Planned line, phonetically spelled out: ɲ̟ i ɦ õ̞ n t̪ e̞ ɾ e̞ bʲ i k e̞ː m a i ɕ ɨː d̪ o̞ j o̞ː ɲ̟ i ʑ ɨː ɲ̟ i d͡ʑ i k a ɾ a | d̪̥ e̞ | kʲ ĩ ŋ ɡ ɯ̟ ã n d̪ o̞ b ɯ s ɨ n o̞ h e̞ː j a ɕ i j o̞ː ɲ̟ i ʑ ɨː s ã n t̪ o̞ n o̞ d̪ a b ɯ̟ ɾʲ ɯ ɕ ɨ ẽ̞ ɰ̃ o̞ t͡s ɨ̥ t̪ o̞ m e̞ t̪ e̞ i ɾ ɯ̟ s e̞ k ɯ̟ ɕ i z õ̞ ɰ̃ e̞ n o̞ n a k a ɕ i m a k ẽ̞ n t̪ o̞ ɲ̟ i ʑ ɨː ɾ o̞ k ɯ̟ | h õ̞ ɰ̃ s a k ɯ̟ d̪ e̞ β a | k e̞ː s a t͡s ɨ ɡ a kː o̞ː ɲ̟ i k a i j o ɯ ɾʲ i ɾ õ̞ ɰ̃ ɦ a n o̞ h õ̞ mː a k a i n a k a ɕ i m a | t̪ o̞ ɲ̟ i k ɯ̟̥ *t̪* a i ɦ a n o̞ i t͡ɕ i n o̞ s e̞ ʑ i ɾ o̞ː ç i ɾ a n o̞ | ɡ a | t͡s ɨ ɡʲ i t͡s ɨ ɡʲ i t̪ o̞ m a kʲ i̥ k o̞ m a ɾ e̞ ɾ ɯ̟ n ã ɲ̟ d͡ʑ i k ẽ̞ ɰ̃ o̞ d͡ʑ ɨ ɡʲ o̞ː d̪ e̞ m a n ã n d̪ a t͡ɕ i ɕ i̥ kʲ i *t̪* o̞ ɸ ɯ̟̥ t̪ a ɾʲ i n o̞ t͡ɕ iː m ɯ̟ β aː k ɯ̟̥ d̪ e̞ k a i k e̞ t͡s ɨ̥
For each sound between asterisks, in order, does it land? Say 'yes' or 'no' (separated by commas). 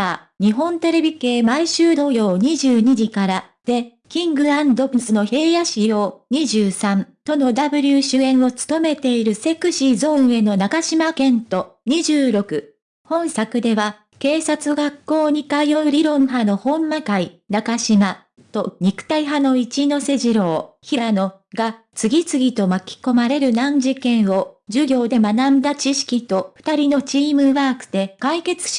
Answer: yes, yes